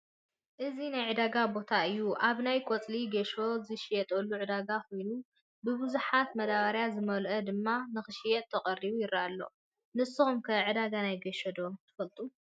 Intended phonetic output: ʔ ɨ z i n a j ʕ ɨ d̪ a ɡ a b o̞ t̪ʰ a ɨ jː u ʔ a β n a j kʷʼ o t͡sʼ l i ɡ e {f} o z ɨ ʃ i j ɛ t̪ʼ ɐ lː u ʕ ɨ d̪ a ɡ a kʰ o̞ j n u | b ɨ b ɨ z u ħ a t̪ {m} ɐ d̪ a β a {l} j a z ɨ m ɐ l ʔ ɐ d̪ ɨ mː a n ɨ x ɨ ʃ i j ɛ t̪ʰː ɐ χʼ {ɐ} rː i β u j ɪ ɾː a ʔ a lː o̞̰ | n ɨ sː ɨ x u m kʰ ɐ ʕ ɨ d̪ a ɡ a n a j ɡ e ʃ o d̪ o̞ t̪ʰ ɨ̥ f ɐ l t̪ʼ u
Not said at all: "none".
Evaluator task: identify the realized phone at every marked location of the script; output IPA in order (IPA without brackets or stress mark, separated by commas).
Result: ʃ, m, ɾ, ɐ